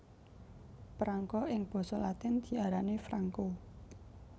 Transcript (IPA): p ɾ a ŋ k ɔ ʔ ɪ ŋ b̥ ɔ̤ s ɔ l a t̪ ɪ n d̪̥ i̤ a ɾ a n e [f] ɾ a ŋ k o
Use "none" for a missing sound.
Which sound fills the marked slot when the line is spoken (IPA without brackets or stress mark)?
f